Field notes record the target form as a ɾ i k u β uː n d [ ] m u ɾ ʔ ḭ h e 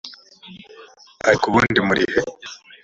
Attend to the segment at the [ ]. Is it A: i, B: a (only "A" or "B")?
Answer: A